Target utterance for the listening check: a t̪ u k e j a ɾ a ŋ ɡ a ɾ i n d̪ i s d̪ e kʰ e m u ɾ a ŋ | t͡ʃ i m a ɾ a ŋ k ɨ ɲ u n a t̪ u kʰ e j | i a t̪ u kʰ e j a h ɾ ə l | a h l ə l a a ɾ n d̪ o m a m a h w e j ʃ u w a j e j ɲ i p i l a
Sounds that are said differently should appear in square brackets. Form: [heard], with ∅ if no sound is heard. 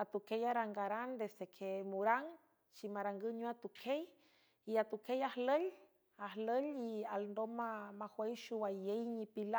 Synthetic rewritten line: a t̪ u k e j a ɾ a ŋ ɡ a ɾ [a] n d̪ [e] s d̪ e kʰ e m u ɾ a ŋ | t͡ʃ i m a ɾ a ŋ [ɡ] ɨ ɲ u [∅] a t̪ u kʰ e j | i a t̪ u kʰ e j a h [l] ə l | a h l ə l [i] a [l] n d̪ o m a m a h w e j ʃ u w a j e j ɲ i p i l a